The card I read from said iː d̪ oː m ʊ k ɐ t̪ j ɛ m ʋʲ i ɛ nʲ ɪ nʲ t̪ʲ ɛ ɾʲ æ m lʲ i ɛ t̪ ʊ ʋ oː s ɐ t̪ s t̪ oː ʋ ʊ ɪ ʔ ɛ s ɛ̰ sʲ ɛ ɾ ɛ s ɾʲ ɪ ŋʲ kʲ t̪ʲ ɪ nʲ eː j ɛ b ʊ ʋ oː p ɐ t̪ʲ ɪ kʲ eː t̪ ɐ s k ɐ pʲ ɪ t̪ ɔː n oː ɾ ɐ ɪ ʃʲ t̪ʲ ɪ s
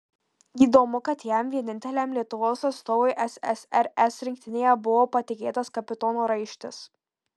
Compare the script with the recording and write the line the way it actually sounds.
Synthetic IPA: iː d̪ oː m ʊ k ɐ t̪ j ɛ m ʋʲ i ɛ nʲ ɪ nʲ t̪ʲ ɛ lʲ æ m lʲ i ɛ t̪ ʊ ʋ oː s ɐ t̪ s t̪ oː ʋ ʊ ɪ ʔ ɛ s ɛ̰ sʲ ɛ ɾ ɛ s ɾʲ ɪ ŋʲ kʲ t̪ʲ ɪ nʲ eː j ɛ b ʊ ʋ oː p ɐ t̪ʲ ɪ kʲ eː t̪ ɐ s k ɐ pʲ ɪ t̪ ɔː n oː ɾ ɐ ɪ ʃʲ t̪ʲ ɪ s